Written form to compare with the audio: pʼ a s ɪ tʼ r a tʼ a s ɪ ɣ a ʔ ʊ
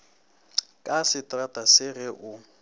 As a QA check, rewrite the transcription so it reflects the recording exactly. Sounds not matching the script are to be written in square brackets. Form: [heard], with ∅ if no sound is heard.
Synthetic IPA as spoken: [kʼ] a s ɪ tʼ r a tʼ a s ɪ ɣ [ɛ] ʔ ʊ